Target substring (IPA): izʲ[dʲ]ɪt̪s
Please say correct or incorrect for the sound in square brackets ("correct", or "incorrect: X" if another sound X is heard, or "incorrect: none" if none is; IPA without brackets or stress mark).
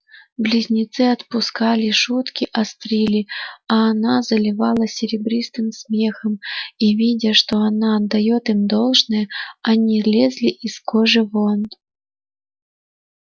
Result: incorrect: nʲ